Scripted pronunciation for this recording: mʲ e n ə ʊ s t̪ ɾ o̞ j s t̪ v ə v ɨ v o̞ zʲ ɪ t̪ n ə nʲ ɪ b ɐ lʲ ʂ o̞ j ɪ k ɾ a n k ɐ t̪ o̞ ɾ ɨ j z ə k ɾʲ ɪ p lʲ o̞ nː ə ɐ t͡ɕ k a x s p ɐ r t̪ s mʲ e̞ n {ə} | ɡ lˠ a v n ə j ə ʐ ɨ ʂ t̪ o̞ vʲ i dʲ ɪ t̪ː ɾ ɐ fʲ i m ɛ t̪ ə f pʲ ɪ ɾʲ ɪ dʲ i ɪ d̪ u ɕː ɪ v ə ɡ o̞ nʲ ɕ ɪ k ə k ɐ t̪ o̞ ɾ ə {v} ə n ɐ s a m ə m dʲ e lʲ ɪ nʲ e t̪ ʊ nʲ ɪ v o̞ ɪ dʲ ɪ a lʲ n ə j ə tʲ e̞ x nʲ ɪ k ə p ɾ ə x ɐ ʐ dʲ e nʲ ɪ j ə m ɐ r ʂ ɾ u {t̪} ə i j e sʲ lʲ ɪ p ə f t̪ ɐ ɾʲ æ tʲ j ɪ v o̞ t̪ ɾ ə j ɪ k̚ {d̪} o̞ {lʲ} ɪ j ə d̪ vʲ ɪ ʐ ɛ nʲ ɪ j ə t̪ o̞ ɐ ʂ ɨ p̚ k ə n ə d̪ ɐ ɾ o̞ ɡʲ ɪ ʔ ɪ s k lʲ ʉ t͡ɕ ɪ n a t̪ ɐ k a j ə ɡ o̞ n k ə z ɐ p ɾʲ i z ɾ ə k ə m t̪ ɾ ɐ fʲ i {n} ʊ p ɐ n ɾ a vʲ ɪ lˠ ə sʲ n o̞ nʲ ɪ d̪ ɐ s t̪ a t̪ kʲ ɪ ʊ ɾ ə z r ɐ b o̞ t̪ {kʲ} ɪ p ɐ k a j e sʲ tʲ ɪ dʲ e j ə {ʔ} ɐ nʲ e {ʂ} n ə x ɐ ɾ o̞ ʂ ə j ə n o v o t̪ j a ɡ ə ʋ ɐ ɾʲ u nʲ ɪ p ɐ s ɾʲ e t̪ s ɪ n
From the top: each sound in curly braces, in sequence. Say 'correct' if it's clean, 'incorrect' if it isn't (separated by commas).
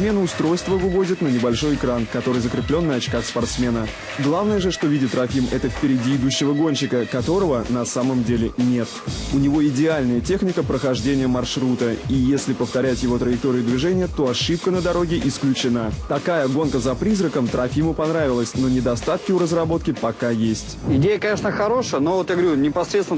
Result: correct, correct, correct, incorrect, incorrect, incorrect, correct, incorrect, correct